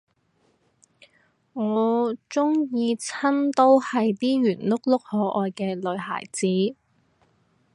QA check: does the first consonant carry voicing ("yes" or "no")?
yes